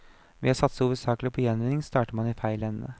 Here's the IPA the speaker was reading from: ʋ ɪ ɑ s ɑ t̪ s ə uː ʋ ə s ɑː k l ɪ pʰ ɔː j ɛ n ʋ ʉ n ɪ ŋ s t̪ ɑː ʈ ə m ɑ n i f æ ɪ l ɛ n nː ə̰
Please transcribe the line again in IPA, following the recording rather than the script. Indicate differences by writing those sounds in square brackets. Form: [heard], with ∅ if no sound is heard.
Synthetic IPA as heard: ʋ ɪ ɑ s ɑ t̪ s ə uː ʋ ə s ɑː k l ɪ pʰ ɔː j ɛ n ʋ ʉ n ɪ ŋ s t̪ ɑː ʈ ə m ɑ n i f æ ɪ l ɛ n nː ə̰